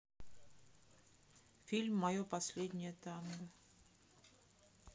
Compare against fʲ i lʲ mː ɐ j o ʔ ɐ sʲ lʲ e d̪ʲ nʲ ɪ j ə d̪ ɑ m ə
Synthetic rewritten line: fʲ i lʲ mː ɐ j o p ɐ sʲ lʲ e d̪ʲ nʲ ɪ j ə t̪ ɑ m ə